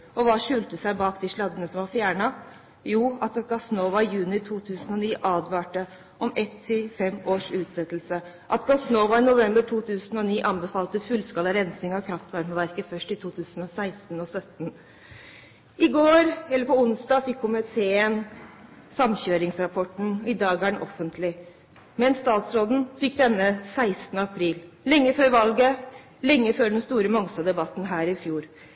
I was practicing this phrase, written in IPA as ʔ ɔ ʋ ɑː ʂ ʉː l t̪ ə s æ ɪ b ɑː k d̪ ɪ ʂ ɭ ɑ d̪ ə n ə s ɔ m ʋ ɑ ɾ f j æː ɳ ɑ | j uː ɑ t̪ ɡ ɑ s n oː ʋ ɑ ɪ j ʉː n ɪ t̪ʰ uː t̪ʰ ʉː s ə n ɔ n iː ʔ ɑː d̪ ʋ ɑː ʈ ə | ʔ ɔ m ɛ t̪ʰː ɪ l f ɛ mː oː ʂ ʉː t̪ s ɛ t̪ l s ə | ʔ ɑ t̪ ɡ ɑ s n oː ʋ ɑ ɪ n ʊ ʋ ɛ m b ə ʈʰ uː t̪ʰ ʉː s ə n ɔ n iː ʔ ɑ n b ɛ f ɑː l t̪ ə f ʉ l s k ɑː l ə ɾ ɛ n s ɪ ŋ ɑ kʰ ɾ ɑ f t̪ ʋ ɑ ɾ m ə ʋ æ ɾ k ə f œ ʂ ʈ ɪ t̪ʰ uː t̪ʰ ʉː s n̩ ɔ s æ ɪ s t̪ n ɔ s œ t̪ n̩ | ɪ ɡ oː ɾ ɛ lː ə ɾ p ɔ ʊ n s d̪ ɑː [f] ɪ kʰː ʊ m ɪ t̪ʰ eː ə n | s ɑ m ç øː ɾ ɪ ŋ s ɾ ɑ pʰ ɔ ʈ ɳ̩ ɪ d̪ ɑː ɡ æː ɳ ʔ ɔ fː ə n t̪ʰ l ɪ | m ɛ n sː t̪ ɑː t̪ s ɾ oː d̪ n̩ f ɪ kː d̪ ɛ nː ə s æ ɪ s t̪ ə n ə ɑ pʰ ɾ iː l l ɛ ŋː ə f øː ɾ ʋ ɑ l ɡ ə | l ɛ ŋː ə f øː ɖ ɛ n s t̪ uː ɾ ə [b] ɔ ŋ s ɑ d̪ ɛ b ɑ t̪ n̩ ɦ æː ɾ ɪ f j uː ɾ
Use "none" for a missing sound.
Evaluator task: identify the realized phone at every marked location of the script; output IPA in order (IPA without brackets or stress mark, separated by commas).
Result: f, m